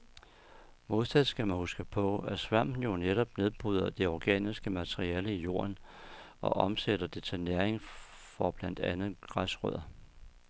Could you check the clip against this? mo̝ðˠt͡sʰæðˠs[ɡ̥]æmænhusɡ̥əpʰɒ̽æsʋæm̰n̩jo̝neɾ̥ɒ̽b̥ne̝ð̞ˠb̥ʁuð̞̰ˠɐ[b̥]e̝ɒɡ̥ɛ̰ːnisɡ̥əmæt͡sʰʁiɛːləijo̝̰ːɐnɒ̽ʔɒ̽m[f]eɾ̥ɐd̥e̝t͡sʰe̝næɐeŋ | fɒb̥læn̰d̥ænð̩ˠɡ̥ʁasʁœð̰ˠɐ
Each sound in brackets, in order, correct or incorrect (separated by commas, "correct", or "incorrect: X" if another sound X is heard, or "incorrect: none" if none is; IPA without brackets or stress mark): correct, incorrect: d̥, incorrect: s